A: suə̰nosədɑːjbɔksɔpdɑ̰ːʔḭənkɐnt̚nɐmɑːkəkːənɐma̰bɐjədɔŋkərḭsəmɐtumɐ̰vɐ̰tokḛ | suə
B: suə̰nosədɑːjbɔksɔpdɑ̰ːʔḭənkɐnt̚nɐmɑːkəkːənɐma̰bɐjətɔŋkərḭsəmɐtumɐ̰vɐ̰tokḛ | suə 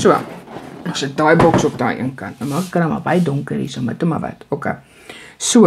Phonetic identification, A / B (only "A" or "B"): A